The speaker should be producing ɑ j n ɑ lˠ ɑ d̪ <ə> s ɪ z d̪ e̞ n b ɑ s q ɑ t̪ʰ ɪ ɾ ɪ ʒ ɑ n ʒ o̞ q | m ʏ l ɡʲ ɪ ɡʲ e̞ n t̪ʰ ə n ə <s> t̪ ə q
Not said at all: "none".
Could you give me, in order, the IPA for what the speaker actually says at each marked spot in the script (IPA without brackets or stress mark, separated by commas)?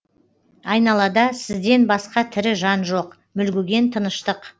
ɑ, ʃ